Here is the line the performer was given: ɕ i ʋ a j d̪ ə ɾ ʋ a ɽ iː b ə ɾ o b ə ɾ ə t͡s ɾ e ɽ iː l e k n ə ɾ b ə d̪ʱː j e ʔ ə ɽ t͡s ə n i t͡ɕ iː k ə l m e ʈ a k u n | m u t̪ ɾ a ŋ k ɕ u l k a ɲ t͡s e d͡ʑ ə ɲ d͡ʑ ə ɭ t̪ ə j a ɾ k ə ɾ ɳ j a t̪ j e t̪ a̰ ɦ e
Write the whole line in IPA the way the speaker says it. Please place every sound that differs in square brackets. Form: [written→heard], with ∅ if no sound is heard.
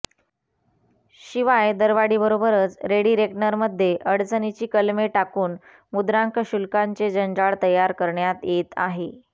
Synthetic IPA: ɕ i ʋ a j d̪ ə ɾ ʋ a ɽ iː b ə ɾ o b ə ɾ ə t͡s ɾ e ɽ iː [l→ɾ] e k n ə ɾ [b→m] ə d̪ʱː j e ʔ ə ɽ t͡s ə n i t͡ɕ iː k ə l m e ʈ a k [u→uː] n | m u [t̪→d̪] ɾ a ŋ k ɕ u l k a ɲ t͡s e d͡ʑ ə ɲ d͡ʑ [ə→a] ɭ t̪ ə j a ɾ k ə ɾ ɳ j a t̪ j e t̪ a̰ ɦ e